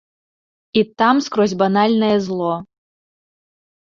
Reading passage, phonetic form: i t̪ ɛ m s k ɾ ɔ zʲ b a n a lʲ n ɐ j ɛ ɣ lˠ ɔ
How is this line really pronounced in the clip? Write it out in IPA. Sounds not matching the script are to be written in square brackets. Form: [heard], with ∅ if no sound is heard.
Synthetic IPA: i t̪ [a] m s k ɾ ɔ zʲ b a n a lʲ n ɐ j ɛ [z] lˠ ɔ